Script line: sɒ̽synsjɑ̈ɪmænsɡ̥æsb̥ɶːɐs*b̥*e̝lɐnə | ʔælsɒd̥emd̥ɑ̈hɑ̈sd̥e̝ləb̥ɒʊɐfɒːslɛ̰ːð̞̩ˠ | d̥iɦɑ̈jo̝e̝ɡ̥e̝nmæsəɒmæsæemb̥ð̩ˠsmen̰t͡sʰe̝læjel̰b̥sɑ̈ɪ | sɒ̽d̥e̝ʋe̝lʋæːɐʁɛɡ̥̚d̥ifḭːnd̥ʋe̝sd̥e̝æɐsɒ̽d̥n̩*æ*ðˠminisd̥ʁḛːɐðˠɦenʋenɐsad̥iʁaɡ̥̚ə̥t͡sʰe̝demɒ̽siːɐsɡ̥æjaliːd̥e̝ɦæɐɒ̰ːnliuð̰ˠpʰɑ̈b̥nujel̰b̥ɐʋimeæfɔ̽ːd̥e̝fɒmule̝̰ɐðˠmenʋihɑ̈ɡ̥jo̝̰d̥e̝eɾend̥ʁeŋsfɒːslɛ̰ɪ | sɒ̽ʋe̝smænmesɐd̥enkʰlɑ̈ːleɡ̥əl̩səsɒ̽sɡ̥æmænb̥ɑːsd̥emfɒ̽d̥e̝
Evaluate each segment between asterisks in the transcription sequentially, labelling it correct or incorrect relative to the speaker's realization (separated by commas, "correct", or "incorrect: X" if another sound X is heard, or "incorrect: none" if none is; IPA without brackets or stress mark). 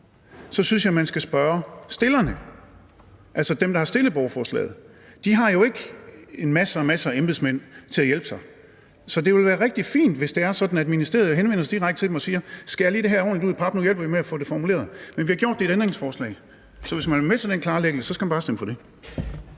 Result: incorrect: d̥, correct